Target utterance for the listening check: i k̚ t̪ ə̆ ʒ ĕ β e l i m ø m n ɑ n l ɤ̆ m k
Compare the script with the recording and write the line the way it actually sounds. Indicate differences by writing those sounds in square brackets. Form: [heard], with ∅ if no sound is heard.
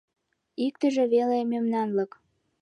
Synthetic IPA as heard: i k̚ t̪ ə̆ ʒ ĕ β e l [e] m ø m n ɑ n l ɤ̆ [∅] k